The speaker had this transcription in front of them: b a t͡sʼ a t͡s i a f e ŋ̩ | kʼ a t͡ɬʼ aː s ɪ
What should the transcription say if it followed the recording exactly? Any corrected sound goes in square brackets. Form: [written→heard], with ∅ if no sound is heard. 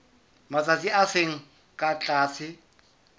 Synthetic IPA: [b→m] a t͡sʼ a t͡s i a [f→s] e ŋ̩ | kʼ a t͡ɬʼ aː s ɪ